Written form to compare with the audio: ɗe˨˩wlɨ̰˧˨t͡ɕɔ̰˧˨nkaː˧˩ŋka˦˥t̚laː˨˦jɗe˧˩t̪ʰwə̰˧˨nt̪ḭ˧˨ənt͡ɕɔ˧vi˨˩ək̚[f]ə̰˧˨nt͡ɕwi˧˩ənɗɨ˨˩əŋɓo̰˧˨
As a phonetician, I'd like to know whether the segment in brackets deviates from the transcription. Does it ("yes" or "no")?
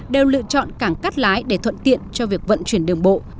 yes